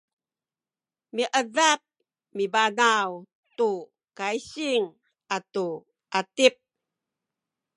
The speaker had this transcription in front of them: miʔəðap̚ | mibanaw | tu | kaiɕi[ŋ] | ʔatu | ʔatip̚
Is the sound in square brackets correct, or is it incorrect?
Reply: correct